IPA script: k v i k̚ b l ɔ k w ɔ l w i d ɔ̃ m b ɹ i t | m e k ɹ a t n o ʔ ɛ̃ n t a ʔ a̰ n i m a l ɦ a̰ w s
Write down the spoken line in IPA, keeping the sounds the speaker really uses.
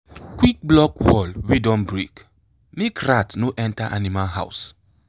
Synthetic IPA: k w i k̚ b l ɔ k w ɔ l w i d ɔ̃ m b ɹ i k | m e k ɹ a t n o ʔ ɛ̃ n t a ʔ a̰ n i m a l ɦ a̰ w s